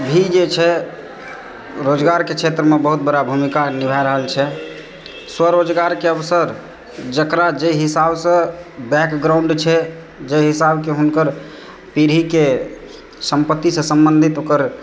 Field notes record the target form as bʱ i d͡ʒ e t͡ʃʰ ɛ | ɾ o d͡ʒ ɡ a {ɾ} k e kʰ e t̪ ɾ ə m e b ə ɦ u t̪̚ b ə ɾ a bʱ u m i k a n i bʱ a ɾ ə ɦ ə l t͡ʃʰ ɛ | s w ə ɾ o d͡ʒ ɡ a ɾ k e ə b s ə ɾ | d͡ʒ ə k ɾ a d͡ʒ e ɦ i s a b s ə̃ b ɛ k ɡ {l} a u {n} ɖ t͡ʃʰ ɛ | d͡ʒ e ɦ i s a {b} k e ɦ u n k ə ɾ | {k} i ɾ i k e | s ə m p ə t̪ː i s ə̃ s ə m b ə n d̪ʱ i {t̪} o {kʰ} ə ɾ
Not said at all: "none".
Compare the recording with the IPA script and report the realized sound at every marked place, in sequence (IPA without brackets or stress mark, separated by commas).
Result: ɾ, ɾ, ɳ, b, p, t̪, k